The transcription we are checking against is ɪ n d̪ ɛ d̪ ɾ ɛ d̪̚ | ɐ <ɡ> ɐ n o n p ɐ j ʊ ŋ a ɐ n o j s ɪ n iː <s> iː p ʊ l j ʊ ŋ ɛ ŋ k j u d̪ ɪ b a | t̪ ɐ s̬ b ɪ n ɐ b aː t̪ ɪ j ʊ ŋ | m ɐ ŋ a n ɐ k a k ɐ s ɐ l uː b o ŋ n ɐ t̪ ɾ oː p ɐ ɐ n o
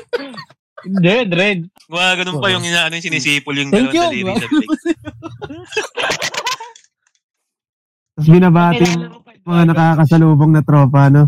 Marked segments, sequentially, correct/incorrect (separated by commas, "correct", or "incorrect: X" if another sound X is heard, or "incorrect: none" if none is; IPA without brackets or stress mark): correct, correct